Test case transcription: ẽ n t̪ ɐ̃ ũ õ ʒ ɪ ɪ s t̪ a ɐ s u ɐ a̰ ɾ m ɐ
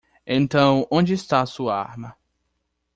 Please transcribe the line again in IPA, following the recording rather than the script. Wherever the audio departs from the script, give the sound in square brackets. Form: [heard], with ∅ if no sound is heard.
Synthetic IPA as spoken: ẽ n t̪ ɐ̃ [w̃] õ [d͡ʒ] ɪ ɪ s t̪ a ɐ s u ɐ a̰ ɾ m ɐ